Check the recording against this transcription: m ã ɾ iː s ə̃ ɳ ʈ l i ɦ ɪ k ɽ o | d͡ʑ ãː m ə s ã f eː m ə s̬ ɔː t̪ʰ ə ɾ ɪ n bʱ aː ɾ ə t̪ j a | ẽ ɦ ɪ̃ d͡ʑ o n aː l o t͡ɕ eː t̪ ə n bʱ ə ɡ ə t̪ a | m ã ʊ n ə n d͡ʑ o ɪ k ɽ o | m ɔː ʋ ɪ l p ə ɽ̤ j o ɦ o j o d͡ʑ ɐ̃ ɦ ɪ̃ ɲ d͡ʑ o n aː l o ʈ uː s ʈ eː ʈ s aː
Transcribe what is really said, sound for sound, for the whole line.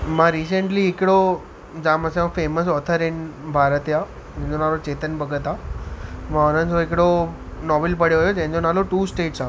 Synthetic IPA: m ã ɾ iː s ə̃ ɳ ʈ l i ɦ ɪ k ɽ o | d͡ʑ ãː m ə s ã f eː m ə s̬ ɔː t̪ʰ ə ɾ ɪ n bʱ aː ɾ ə t̪ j a | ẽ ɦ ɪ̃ d͡ʑ o n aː l o t͡ɕ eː t̪ ə n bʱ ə ɡ ə t̪ a | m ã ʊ n ə n d͡ʑ o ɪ k ɽ o | n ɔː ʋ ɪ l p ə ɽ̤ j o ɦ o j o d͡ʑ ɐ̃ ɦ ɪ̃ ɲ d͡ʑ o n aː l o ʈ uː s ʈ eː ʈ s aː